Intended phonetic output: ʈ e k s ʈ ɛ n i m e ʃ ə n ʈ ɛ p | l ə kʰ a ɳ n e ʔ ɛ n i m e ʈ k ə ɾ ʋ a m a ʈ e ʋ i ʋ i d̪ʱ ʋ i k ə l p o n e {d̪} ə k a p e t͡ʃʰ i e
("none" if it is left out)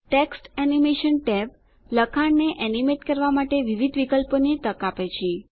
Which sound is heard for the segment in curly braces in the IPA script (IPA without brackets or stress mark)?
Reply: t̪